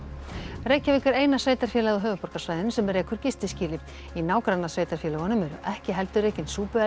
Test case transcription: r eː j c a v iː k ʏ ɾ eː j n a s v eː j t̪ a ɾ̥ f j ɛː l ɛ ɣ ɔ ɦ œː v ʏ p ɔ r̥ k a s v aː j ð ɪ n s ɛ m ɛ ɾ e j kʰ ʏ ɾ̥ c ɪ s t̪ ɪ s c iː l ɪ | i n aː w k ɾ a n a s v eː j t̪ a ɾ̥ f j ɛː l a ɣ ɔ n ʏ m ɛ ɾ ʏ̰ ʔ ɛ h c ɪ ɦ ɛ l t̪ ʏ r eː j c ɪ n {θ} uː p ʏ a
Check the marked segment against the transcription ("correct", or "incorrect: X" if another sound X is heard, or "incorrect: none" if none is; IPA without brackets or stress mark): incorrect: s